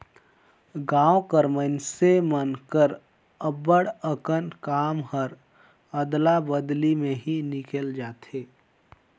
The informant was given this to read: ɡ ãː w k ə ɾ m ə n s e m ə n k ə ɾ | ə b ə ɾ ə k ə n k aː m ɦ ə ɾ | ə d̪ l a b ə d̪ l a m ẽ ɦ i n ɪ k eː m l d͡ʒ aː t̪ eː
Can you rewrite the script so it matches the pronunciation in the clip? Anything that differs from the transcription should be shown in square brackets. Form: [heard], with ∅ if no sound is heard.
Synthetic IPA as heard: ɡ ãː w k ə ɾ m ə n s e m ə n k ə ɾ | ə b ə [ɽ] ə k ə n k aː m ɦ ə ɾ | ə d̪ l a b ə d̪ l [i] m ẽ ɦ i n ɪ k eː [∅] l d͡ʒ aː t̪ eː